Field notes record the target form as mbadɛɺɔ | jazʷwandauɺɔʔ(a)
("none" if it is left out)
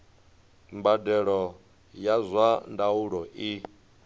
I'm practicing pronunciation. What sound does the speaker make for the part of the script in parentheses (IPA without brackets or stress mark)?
i